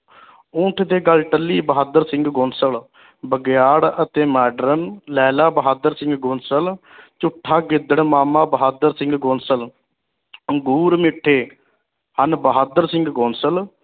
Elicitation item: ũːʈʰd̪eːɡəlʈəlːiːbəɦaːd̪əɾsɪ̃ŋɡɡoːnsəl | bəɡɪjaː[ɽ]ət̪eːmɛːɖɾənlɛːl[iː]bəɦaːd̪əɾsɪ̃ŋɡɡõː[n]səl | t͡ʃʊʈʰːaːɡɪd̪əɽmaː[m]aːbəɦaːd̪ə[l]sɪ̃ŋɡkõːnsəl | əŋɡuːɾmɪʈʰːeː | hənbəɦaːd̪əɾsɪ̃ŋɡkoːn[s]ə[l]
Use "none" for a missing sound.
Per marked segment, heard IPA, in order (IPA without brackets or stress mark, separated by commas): ɽ, aː, n, m, ɾ, s, l